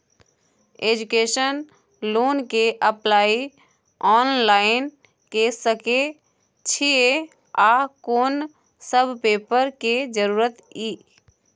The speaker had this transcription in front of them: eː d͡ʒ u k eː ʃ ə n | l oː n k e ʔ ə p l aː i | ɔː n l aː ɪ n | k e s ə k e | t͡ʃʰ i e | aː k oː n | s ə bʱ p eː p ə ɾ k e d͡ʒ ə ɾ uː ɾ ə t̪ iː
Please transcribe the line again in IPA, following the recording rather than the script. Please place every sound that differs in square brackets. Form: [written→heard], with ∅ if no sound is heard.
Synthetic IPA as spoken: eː d͡ʒ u k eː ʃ ə n | l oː n k e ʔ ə p l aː i | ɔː n l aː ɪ n | k e s ə k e | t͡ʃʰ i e | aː k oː n | s ə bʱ p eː p ə ɾ k e d͡ʒ ə ɾ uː ɾ ə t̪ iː